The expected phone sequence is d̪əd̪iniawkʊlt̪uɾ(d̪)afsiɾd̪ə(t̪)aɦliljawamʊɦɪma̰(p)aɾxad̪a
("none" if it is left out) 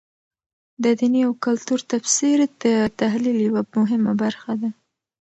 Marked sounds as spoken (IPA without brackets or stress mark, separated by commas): t̪, t̪, b